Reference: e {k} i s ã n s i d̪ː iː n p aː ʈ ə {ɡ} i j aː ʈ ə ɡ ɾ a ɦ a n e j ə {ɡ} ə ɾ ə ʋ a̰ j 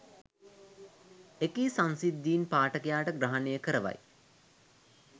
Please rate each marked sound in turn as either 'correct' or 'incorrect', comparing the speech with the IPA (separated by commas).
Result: correct, incorrect, incorrect